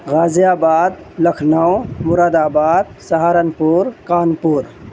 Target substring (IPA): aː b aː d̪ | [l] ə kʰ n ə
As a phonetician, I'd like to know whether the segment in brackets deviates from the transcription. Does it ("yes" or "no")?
no